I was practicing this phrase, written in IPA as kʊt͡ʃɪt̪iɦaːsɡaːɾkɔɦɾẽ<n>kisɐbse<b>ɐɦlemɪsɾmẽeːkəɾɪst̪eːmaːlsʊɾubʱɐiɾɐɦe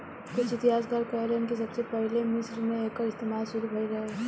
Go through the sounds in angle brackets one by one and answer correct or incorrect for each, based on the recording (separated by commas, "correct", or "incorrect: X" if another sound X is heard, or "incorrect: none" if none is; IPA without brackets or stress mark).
correct, incorrect: p